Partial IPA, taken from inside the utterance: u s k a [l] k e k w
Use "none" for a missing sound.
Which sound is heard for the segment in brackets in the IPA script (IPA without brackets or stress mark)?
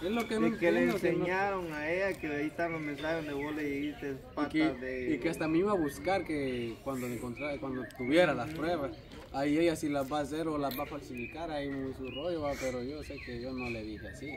ɾ